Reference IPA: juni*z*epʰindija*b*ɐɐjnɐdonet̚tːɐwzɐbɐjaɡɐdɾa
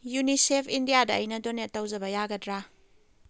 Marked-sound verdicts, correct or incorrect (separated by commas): incorrect, incorrect